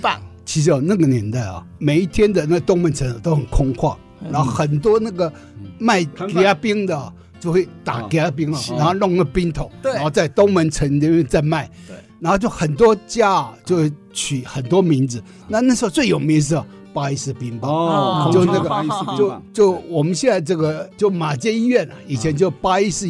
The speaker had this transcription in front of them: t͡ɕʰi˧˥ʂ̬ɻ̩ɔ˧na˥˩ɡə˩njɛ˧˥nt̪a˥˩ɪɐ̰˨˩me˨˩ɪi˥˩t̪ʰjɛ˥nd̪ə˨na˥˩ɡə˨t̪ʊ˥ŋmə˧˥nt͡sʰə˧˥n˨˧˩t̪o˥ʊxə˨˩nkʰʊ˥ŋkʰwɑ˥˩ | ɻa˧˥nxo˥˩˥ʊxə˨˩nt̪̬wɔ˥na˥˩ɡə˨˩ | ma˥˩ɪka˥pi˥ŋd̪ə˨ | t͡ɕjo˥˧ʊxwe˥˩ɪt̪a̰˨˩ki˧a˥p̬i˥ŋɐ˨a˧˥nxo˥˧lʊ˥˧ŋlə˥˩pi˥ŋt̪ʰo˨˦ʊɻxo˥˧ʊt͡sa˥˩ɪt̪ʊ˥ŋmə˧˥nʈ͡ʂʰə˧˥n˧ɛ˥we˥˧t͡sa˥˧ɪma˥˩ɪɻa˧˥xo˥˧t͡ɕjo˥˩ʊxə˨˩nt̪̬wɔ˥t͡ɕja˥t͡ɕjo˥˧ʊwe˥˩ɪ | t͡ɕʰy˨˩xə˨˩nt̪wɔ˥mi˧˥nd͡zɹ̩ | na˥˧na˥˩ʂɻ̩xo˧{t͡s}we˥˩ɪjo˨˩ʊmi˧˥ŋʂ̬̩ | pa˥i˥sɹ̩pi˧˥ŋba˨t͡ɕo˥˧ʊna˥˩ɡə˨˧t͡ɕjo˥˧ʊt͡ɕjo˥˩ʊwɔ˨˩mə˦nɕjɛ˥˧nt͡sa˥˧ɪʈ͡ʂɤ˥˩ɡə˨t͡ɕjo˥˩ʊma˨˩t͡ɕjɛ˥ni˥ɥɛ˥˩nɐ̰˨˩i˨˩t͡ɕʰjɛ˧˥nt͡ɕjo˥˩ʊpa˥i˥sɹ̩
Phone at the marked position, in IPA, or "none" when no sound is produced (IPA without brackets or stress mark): t͡s